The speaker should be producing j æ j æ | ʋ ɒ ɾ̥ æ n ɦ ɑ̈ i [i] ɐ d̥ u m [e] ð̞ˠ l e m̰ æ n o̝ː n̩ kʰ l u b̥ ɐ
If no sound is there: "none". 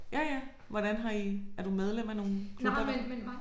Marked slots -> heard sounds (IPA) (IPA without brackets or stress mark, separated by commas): æ, e